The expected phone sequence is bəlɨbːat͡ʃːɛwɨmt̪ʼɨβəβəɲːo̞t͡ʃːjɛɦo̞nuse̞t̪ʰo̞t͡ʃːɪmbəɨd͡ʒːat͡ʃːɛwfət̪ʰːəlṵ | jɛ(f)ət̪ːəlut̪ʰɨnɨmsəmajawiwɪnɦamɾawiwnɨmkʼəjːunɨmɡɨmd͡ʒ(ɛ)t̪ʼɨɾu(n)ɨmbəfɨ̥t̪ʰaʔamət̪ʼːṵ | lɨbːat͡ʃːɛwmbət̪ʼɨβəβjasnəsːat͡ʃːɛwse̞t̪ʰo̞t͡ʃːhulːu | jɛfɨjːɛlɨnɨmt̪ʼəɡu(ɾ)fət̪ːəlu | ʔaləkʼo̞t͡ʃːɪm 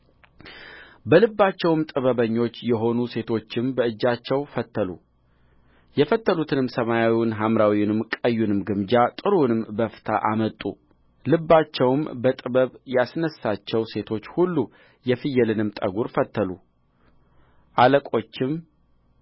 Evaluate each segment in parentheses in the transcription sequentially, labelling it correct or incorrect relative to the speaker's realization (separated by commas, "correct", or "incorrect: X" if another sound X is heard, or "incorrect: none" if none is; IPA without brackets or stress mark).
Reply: correct, incorrect: a, correct, correct